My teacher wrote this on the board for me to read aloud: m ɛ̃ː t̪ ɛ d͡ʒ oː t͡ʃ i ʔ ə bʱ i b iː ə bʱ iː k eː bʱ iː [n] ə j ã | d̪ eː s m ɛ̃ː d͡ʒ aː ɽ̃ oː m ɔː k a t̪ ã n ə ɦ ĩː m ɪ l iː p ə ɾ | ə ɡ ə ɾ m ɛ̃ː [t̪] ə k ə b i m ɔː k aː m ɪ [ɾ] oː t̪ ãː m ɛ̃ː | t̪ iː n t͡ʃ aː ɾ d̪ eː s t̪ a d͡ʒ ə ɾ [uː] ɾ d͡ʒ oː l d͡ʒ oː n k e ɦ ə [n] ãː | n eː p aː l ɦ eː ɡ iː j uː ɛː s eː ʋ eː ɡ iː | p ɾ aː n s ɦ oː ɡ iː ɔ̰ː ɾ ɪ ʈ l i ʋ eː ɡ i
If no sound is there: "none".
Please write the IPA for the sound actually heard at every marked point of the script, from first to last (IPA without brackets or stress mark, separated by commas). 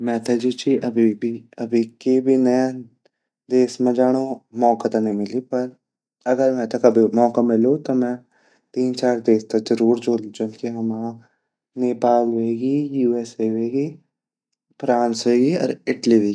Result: n, t̪, l, uː, m